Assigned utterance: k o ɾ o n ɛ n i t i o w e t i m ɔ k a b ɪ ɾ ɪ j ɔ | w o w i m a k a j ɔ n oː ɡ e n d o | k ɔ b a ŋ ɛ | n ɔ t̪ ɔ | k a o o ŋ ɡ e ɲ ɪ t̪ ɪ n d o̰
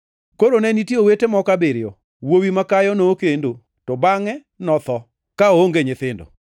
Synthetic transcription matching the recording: k o ɾ o n ɛ n i t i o w e t e m ɔ k a b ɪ ɾ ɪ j ɔ | w o w i m a k a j ɔ n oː k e n d o | t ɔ b a ŋ ɛ | n ɔ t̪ ɔ | k a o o ŋ ɡ e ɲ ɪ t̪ ɪ n d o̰